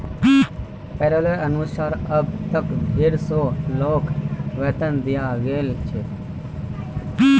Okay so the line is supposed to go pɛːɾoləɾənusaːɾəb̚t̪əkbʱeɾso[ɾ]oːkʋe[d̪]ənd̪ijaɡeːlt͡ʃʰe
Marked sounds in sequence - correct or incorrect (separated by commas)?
incorrect, incorrect